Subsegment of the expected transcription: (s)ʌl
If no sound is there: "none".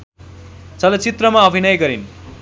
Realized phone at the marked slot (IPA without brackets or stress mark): t͡s